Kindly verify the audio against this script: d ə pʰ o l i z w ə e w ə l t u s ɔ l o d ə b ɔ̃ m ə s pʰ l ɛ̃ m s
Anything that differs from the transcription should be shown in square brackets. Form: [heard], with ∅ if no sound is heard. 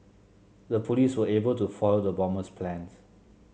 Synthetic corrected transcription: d ə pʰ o l i [s] w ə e [b] ə l t u [f] ɔ l o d ə b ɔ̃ m ə s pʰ l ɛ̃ [n] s